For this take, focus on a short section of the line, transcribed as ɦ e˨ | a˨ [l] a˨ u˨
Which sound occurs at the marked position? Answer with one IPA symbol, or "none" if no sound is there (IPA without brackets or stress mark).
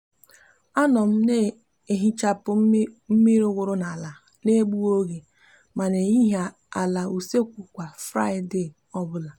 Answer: l